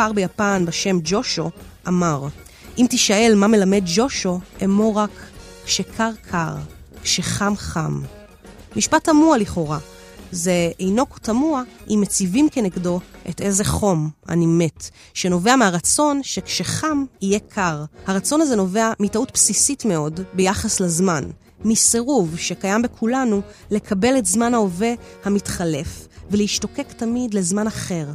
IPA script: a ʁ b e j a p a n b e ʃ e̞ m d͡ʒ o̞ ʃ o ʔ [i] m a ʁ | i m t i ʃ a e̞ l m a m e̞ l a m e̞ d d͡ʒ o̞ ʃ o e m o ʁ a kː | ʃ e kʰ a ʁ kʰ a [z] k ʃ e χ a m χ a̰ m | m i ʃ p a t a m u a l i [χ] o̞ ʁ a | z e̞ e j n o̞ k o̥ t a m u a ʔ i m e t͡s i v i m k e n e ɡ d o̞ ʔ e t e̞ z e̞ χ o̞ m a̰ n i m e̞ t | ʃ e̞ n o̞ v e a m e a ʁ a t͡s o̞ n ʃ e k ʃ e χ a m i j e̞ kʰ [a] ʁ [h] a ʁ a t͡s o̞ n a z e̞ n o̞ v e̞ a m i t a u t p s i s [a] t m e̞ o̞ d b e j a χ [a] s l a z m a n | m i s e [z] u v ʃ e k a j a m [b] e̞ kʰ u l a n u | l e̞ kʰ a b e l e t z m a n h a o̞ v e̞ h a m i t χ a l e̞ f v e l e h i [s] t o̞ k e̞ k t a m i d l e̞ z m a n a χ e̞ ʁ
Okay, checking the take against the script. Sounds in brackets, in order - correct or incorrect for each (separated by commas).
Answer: incorrect, incorrect, correct, correct, correct, incorrect, correct, incorrect, correct, incorrect